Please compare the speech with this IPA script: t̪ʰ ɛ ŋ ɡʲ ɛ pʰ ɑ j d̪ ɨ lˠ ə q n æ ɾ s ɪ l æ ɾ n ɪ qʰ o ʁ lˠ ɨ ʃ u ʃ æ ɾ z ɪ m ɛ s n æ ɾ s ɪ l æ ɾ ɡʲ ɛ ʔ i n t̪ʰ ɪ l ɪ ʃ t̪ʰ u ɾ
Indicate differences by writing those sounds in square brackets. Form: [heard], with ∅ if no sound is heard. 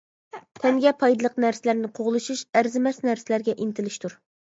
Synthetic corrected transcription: t̪ʰ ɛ ŋ ɡʲ ɛ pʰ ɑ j d̪ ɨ lˠ ə q n æ ɾ s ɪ l æ ɾ n ɪ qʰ o ʁ lˠ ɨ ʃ u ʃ æ ɾ z ɪ m ɛ s n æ ɾ s ɪ l æ ɾ ɡʲ ɛ ʔ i n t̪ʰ ɪ l ɪ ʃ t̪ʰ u ɾ

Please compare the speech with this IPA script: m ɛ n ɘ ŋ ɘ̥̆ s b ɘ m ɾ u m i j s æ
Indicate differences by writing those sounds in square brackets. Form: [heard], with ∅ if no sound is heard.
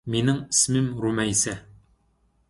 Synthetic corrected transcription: m [i] n ɘ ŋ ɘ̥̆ s [m] ɘ m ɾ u m [æ] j s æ

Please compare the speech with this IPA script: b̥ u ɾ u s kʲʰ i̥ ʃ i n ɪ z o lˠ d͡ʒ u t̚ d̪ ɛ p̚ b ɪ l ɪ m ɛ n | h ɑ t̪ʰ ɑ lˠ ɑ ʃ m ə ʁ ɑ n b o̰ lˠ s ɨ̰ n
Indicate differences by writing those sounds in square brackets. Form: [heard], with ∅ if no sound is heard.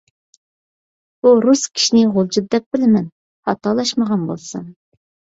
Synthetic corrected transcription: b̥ u ɾ u s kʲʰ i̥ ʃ i n ɪ [ʁ] o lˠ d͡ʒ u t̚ d̪ ɛ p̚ b ɪ l ɪ m ɛ n | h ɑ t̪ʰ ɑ lˠ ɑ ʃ m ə ʁ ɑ n b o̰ lˠ s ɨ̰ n

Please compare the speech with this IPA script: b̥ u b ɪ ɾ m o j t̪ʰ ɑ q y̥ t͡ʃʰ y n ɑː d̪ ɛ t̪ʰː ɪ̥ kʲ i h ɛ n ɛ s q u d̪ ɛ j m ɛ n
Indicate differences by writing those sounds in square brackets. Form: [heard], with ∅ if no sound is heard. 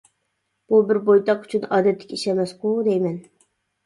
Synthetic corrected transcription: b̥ u b ɪ ɾ [b] o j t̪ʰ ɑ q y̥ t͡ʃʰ y n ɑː d̪ ɛ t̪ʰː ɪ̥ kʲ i [ʃ] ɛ [m] ɛ s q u d̪ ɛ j m ɛ n

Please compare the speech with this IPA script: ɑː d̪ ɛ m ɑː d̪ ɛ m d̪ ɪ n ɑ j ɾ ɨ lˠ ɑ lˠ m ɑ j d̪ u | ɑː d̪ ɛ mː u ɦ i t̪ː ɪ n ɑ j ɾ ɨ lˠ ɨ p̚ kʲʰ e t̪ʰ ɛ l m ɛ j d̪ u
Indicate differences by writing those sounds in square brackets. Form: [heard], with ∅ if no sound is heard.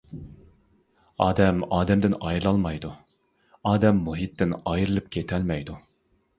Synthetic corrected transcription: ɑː d̪ ɛ m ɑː d̪ ɛ m d̪ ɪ n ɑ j ɾ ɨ lˠ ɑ lˠ m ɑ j d̪ u | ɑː d̪ ɛ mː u ɦ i t̪ː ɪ n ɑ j ɾ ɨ lˠ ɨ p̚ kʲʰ e t̪ʰ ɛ l m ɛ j d̪ u

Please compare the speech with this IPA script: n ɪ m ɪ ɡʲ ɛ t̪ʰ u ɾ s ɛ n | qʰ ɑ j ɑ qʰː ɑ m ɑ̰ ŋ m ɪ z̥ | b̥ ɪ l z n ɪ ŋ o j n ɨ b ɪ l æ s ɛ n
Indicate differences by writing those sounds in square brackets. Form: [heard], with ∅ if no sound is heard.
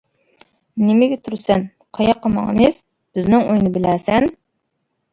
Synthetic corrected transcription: n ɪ m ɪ ɡʲ ɛ t̪ʰ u ɾ s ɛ n | qʰ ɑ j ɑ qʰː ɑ m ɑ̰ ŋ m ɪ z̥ | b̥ ɪ [∅] z n ɪ ŋ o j n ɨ b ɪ l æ s ɛ n

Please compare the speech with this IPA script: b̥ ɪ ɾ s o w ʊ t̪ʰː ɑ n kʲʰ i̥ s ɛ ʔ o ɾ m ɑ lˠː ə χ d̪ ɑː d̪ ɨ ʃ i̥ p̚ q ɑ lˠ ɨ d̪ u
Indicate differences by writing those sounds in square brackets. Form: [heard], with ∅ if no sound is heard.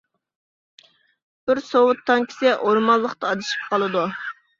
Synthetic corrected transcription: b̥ ɪ ɾ s o w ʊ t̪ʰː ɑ [ŋ] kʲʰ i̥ s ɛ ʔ o ɾ m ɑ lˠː ə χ [t̪] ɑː d̪ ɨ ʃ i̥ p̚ q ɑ lˠ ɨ d̪ u

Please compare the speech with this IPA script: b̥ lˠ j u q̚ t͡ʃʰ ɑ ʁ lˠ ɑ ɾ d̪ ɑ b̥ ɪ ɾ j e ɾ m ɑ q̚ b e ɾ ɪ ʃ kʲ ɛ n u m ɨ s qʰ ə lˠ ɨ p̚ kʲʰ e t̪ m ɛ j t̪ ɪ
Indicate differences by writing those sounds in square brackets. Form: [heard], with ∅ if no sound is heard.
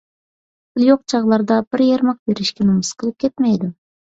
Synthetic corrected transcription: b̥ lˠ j [o] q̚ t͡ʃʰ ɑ ʁ lˠ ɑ ɾ d̪ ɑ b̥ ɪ ɾ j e ɾ m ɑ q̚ b e ɾ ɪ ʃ kʲ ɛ n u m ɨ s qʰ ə lˠ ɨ p̚ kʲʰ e t̪ m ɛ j [d̪] ɪ

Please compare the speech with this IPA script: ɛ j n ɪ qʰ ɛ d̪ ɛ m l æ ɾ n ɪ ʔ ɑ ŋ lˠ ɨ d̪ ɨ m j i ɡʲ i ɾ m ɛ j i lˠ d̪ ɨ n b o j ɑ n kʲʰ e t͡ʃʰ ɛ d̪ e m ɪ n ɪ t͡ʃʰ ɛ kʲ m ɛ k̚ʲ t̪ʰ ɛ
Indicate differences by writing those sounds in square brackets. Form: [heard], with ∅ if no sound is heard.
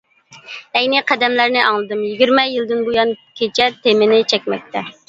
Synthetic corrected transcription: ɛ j n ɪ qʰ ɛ d̪ ɛ m l æ ɾ n ɪ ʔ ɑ ŋ lˠ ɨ d̪ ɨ m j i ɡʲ i ɾ m ɛ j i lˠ d̪ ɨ n b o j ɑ n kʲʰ e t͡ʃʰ ɛ [t̪] e m ɪ n ɪ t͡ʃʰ ɛ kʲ m ɛ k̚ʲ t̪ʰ ɛ

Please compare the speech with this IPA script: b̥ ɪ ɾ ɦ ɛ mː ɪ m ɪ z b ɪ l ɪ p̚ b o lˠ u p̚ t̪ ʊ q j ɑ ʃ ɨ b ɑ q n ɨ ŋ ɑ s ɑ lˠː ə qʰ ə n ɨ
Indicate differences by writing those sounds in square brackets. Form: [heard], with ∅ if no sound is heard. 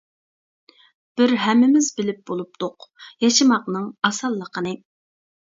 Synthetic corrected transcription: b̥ ɪ ɾ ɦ ɛ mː ɪ m ɪ z b ɪ l ɪ p̚ b o lˠ u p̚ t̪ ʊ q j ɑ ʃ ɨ [m] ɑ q n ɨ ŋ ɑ s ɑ lˠː ə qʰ ə n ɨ

